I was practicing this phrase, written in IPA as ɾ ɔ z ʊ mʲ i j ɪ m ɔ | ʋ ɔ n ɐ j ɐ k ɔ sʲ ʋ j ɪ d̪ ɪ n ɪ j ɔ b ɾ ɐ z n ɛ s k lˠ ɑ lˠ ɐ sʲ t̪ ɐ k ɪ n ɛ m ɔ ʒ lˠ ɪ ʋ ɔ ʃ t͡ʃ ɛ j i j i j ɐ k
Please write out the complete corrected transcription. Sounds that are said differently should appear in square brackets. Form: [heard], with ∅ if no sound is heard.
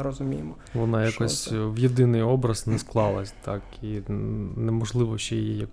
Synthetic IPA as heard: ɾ ɔ z ʊ mʲ i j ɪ m ɔ | ʋ ɔ n [ɑ] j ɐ k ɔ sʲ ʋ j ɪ d̪ ɪ n ɪ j ɔ b ɾ ɐ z n ɛ s k lˠ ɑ lˠ ɐ sʲ t̪ [ɑ] k [i] n ɛ m ɔ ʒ lˠ ɪ ʋ ɔ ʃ t͡ʃ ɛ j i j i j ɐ k